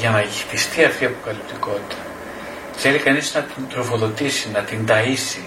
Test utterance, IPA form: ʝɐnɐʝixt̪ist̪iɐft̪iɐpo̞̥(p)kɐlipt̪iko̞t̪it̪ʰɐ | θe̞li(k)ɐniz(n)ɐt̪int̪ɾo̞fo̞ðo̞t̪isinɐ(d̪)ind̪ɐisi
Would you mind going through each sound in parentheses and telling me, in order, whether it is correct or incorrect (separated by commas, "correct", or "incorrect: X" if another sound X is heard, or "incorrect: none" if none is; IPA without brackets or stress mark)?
incorrect: none, correct, correct, incorrect: t̪